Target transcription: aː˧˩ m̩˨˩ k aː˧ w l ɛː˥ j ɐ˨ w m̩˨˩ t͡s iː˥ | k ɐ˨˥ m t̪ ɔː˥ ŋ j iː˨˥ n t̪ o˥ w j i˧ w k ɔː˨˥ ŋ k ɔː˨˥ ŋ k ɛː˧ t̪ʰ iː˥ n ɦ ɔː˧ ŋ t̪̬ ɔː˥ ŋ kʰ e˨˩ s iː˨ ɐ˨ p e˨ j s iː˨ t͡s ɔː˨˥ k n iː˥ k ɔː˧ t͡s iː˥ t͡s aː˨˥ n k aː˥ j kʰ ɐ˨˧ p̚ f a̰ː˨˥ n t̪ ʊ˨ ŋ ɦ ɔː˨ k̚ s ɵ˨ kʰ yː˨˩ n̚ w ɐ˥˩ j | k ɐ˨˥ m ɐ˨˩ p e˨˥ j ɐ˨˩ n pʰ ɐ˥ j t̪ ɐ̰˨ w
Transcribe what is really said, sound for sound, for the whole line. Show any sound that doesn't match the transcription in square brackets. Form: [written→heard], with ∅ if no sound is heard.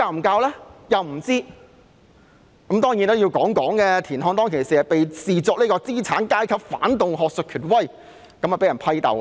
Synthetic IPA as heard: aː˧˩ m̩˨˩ k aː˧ w l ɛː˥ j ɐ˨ w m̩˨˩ t͡s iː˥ | k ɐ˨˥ m t̪ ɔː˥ ŋ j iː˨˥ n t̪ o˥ w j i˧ w k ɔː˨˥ ŋ k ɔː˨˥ ŋ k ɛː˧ t̪ʰ [iː˥→iː˨˩] n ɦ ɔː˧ ŋ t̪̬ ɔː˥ ŋ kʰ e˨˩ s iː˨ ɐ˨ p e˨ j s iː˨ t͡s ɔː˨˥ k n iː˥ k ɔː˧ t͡s iː˥ [t͡s→t͡sʰ] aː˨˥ n k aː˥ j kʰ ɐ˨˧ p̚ f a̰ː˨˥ n t̪ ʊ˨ ŋ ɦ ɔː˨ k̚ s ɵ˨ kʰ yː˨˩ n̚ w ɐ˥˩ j | k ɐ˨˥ m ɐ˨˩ p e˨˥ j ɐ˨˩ n pʰ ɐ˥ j t̪ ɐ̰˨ w